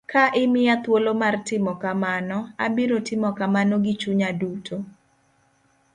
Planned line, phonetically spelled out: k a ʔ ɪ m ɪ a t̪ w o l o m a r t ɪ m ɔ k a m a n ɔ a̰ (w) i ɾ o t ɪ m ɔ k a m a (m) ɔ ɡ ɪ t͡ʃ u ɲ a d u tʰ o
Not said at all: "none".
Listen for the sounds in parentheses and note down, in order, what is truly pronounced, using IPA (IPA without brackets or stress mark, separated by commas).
b, n